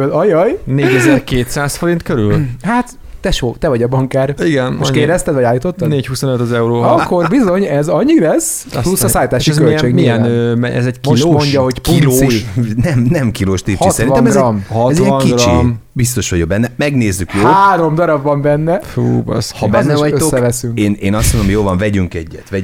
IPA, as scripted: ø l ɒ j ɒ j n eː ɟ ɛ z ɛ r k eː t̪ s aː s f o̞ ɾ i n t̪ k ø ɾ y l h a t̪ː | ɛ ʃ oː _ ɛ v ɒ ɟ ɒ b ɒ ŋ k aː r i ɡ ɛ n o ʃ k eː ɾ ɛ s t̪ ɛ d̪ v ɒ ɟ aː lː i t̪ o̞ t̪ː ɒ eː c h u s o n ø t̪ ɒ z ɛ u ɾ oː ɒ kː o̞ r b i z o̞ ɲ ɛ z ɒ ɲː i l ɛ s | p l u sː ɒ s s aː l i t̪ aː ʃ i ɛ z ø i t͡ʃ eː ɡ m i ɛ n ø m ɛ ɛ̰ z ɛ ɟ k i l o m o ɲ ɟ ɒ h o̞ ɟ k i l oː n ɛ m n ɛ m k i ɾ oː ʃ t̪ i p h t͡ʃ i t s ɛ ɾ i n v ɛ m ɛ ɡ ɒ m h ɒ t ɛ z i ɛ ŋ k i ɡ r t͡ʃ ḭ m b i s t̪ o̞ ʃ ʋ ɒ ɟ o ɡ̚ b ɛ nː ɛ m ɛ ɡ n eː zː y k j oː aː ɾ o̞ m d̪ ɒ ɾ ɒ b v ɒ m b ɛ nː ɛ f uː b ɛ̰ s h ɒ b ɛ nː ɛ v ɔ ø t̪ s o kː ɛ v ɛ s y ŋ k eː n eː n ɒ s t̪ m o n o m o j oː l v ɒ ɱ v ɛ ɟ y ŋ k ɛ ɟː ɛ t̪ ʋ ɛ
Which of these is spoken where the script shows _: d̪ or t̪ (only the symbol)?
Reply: t̪